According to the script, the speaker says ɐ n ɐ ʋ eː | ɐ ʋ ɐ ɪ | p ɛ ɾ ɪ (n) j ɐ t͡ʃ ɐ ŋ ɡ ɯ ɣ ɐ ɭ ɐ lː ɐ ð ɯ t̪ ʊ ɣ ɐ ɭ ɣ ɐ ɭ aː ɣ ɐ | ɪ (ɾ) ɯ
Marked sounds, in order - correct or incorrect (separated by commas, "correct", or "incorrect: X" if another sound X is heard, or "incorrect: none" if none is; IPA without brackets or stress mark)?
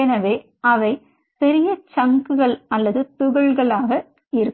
incorrect: none, correct